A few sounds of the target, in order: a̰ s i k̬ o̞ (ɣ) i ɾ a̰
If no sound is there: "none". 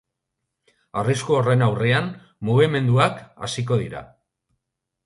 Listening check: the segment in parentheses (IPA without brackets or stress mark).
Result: ð